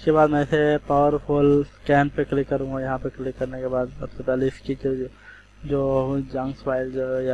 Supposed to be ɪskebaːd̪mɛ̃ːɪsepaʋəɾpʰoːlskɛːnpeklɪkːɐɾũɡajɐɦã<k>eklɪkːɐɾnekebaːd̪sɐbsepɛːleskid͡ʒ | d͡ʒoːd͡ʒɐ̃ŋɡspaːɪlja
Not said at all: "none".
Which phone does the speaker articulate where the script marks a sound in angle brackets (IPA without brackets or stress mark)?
p